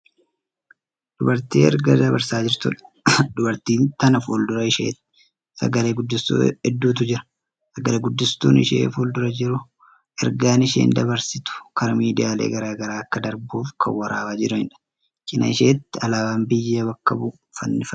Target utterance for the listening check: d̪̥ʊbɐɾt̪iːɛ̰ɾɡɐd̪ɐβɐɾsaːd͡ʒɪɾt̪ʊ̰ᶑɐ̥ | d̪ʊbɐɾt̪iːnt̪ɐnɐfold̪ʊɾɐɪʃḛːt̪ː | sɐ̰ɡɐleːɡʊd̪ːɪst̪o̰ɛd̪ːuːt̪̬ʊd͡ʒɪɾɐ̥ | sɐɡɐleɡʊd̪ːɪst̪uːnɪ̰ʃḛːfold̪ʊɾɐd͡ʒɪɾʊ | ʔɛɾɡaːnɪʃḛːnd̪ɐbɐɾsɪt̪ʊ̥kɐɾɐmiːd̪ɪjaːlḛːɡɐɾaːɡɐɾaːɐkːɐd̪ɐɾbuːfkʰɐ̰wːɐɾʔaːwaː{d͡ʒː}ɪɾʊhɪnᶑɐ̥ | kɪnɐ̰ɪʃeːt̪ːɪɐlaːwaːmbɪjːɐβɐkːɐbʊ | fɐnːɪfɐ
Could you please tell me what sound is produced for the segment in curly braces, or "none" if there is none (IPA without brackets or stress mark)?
d͡ʒ